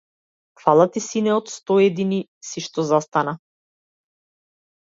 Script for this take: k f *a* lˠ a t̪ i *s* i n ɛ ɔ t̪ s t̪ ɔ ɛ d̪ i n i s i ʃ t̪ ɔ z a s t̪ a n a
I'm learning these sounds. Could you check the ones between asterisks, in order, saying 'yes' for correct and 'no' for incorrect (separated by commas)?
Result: yes, yes